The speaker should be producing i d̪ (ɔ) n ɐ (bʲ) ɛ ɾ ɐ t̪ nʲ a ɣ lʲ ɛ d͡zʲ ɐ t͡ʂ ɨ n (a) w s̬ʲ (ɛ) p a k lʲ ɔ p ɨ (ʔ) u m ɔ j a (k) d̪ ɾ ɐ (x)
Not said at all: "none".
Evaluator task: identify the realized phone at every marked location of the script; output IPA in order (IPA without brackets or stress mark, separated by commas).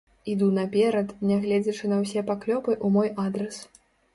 u, pʲ, ɐ, ɛ, ʔ, none, s